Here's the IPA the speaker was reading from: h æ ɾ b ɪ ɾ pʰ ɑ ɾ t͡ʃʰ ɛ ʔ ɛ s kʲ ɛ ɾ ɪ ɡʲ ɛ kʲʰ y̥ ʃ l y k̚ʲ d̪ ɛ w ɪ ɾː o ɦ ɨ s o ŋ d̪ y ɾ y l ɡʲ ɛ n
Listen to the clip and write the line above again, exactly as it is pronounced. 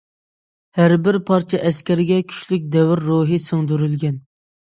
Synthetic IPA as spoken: h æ ɾ b ɪ ɾ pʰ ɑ ɾ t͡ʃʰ ɛ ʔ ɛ s kʲ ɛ ɾ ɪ ɡʲ ɛ kʲʰ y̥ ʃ l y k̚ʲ d̪ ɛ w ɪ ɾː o ɦ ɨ s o ŋ d̪ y ɾ y l ɡʲ ɛ n